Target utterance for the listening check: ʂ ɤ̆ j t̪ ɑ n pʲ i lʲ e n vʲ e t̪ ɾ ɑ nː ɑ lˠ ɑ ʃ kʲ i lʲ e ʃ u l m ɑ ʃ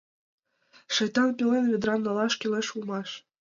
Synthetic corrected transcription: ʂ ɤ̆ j t̪ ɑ n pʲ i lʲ e n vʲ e d̪ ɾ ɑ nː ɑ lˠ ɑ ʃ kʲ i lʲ e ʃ u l m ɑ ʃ